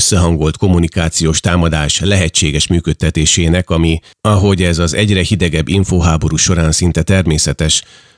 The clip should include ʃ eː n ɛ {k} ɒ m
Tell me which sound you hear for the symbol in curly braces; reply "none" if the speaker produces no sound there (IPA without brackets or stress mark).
k